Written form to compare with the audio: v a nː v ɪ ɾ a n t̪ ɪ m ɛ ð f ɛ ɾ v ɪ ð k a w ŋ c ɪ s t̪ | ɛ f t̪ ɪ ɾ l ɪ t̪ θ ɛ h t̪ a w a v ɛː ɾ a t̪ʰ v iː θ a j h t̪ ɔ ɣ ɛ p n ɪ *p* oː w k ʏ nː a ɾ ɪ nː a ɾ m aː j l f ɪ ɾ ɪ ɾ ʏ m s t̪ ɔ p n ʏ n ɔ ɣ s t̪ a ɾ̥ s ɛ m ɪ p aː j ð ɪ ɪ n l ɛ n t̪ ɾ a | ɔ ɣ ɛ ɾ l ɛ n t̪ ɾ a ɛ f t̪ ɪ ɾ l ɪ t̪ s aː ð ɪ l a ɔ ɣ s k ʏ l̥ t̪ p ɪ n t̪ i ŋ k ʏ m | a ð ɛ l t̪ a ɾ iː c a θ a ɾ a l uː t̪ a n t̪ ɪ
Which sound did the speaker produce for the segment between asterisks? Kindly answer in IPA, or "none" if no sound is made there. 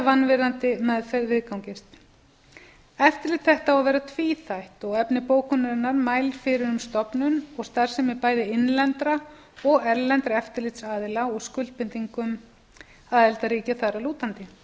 p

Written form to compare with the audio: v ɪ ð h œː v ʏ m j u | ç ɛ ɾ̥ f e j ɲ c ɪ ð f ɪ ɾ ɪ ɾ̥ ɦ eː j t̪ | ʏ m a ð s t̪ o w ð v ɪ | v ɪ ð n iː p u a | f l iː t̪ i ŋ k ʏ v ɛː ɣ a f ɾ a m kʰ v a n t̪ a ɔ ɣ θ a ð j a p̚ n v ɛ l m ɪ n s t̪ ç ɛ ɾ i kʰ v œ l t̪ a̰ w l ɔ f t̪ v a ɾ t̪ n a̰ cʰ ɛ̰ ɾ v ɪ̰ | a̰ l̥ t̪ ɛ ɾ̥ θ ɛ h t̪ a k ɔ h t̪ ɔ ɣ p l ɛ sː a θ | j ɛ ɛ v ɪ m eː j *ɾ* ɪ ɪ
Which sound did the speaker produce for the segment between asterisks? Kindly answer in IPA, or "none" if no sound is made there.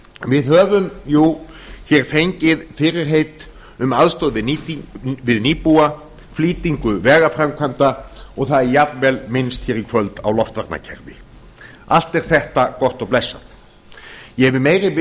ɾ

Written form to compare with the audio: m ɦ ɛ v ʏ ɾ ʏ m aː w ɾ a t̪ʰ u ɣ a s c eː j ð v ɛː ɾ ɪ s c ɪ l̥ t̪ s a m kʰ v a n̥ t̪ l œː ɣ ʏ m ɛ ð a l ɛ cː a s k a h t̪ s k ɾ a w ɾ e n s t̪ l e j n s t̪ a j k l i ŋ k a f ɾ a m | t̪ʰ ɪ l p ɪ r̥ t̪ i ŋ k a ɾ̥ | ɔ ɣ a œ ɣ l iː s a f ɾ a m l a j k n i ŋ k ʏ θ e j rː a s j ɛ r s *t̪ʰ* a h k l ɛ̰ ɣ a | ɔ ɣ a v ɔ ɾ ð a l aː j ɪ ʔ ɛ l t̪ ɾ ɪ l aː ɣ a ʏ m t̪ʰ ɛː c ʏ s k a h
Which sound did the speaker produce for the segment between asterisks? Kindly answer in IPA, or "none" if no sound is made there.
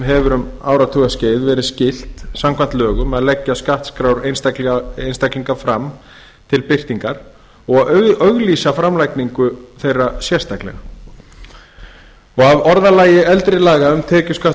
t̪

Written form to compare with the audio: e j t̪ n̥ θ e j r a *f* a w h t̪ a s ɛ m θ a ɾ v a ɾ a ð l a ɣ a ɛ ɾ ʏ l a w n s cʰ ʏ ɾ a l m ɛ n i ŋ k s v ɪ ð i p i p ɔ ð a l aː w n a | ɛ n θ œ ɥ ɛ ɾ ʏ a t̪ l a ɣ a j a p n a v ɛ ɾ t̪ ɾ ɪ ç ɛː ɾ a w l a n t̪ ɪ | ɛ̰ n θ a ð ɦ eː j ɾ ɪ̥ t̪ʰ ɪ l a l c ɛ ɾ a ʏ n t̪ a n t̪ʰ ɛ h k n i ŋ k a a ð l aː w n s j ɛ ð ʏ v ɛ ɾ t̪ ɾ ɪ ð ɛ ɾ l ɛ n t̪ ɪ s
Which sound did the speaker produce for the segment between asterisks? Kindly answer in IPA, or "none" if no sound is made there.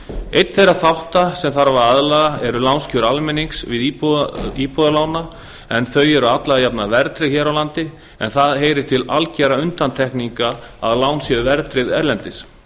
θ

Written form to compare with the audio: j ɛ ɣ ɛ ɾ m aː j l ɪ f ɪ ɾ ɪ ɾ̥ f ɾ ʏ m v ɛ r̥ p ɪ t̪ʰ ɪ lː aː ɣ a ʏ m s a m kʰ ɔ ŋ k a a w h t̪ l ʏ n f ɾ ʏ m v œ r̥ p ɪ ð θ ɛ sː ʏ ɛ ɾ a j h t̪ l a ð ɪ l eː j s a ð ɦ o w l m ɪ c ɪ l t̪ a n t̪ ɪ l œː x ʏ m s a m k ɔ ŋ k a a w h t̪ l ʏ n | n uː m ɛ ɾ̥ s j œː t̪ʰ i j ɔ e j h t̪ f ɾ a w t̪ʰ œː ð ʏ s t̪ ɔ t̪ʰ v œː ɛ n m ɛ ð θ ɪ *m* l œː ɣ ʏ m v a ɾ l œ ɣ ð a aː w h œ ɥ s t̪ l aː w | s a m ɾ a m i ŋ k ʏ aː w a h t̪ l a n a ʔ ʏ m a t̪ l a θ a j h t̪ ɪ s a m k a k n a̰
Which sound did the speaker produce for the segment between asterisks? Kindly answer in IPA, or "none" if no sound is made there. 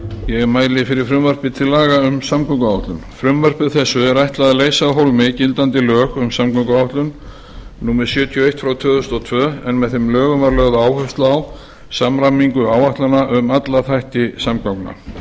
m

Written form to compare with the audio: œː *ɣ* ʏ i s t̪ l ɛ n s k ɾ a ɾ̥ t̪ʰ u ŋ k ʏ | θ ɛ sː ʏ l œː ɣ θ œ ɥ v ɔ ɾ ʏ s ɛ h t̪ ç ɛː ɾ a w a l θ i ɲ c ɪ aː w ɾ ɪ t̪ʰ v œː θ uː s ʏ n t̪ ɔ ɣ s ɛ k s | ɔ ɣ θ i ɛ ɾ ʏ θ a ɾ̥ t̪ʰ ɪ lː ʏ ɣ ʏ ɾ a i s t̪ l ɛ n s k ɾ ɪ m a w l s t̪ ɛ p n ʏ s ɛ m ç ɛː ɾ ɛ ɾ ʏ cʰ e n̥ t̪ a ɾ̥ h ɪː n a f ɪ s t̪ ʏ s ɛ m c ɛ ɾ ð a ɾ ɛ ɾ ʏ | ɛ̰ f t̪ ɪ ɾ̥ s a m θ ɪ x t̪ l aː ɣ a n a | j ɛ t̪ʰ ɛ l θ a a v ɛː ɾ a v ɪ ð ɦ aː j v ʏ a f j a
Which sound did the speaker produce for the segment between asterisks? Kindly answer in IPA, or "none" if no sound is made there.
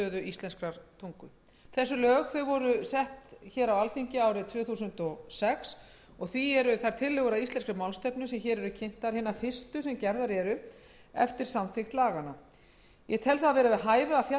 ð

